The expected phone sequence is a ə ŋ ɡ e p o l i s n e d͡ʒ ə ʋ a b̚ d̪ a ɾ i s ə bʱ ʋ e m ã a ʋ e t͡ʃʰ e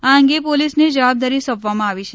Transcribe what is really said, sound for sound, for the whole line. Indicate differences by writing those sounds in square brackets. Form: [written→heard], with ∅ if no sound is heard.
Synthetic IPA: a ə ŋ ɡ e p o l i s n e d͡ʒ ə ʋ a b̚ d̪ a ɾ i s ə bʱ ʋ [e→a] m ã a ʋ [e→i] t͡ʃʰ e